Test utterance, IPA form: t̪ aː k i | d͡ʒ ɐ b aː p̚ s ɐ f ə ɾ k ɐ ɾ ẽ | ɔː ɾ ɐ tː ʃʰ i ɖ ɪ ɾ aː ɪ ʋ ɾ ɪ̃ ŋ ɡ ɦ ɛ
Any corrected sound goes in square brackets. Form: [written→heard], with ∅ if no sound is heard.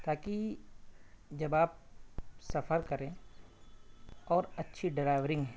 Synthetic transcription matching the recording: t̪ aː k i | d͡ʒ ɐ b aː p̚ s ɐ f ə ɾ k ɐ ɾ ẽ | ɔː ɾ ɐ tː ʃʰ i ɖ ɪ ɾ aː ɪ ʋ ɾ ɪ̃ ŋ ɡ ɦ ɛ

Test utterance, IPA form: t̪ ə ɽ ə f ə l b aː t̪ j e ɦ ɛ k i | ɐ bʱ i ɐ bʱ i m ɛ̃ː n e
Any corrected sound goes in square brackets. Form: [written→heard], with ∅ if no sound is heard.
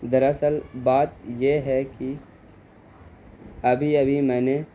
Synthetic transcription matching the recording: [t̪→d̪] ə [ɽ→ɾ] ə [f→s] ə l b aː t̪ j e ɦ ɛ k i | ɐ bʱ i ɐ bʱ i m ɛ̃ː n e

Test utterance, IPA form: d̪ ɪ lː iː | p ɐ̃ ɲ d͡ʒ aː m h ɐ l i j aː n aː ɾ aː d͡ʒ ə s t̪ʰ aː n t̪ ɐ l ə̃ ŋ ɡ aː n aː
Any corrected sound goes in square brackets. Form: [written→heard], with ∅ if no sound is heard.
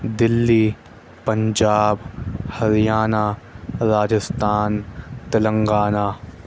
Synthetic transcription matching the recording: d̪ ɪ lː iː | p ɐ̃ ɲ d͡ʒ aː [m→b] h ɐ [l→ɾ] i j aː n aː ɾ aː d͡ʒ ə s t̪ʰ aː n t̪ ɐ l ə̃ ŋ ɡ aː n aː

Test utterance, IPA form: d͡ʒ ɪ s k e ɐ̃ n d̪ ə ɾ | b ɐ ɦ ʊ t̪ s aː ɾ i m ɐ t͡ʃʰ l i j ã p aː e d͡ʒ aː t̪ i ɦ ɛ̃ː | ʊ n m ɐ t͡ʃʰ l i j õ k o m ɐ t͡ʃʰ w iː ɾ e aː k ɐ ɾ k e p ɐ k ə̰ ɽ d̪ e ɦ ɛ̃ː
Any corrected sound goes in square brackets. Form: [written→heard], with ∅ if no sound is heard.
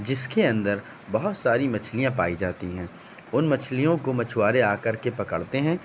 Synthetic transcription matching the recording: d͡ʒ ɪ s k e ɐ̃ n d̪ ə ɾ | b ɐ ɦ ʊ t̪ s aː ɾ i m ɐ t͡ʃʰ l i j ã p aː [e→i] d͡ʒ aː t̪ i ɦ ɛ̃ː | ʊ n m ɐ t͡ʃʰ l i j õ k o m ɐ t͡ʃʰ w [iː→aː] ɾ e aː k ɐ ɾ k e p ɐ k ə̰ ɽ [d̪→t̪] e ɦ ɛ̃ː

